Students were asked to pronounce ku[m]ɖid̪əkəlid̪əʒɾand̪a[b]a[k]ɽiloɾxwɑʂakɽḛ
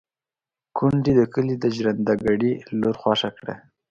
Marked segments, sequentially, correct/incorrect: incorrect: ɳ, incorrect: ɡ, incorrect: none

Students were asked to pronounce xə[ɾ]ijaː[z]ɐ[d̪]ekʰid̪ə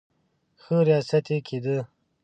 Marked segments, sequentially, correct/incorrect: correct, incorrect: s, incorrect: t̪

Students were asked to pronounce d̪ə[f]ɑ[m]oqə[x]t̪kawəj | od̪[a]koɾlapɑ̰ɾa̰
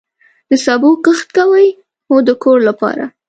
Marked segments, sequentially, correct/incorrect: incorrect: s, incorrect: b, correct, incorrect: ə

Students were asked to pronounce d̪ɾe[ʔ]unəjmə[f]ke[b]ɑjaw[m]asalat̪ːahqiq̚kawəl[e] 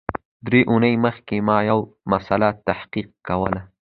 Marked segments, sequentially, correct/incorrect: correct, incorrect: x, incorrect: m, correct, incorrect: a

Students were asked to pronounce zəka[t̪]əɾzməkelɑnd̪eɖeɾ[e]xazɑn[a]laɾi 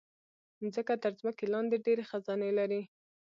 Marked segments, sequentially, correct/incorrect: correct, correct, incorrect: e

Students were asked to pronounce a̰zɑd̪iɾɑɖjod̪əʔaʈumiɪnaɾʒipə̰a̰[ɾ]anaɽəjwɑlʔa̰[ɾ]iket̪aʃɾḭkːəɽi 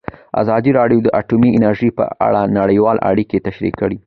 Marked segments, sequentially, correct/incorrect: incorrect: ɽ, incorrect: ɽ

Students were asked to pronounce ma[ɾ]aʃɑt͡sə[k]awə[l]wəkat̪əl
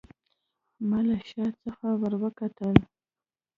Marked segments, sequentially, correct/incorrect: incorrect: l, incorrect: x, incorrect: ɾ

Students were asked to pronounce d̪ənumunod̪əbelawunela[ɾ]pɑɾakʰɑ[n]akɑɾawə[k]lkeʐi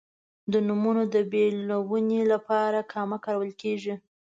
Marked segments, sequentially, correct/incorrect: incorrect: none, incorrect: m, incorrect: none

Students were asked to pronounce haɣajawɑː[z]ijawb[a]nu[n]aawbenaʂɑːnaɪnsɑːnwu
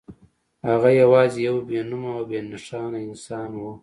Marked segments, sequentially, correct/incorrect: correct, incorrect: e, incorrect: m

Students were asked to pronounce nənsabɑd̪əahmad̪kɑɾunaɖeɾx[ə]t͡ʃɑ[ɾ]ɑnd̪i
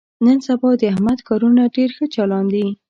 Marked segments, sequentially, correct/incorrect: correct, incorrect: l

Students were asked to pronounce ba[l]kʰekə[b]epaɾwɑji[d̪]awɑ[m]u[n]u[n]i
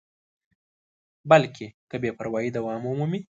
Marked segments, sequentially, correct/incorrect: correct, correct, correct, correct, incorrect: m, incorrect: m

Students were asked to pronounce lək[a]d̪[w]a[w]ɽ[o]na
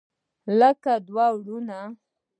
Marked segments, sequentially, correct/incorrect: correct, correct, correct, incorrect: u

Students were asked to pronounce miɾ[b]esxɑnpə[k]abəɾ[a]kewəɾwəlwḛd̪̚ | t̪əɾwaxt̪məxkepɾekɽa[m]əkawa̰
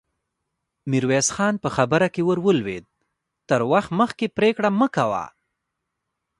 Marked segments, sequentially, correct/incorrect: incorrect: w, incorrect: x, correct, correct

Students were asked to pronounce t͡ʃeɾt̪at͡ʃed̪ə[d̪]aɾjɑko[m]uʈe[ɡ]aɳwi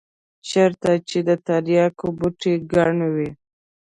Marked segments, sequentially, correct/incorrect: incorrect: t̪, incorrect: b, correct

